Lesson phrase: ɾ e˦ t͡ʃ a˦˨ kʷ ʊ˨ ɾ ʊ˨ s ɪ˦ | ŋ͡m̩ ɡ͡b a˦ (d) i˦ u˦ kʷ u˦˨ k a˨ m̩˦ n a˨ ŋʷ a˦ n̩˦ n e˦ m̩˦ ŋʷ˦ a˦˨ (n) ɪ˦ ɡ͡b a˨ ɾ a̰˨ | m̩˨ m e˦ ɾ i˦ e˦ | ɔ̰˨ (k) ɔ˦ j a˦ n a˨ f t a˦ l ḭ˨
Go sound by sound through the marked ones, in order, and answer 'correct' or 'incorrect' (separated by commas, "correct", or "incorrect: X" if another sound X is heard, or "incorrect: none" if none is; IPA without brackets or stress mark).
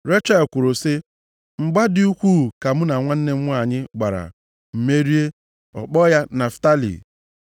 correct, incorrect: ɲ, incorrect: k͡p